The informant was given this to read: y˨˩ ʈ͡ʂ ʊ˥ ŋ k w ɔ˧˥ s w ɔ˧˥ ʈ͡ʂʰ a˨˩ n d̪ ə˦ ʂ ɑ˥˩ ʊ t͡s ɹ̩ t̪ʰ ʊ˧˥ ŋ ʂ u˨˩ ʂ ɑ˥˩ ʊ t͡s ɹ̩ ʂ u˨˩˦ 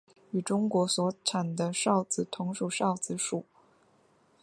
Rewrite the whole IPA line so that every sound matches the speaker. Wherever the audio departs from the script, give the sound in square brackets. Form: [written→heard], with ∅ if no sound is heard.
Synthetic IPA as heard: y˨˩ ʈ͡ʂ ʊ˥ ŋ k w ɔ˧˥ s w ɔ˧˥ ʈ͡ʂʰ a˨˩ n d̪ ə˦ ʂ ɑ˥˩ ʊ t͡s ɹ̩ t̪ʰ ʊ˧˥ ŋ ʂ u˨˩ ʂ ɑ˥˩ ʊ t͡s ɹ̩ ʂ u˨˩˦